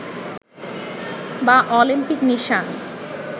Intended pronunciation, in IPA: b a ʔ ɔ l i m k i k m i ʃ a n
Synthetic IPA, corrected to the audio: b a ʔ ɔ l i m p i k n i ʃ a n